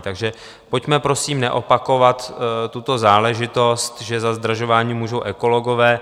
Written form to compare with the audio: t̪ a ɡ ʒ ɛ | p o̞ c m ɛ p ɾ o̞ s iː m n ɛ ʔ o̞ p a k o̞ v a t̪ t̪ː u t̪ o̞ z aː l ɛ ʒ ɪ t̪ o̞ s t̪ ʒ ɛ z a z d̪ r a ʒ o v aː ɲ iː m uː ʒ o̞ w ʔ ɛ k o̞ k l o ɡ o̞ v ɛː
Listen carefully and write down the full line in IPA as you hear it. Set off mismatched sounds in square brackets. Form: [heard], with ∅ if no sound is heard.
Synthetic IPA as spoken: t̪ a ɡ ʒ ɛ | p o̞ c m ɛ p ɾ o̞ s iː m n ɛ ʔ o̞ p a k o̞ v a t̪ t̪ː u t̪ o̞ z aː l ɛ ʒ ɪ t̪ o̞ s t̪ ʒ ɛ z a z d̪ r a ʒ o v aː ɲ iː m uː ʒ o̞ w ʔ ɛ k o̞ [∅] l o ɡ o̞ v ɛː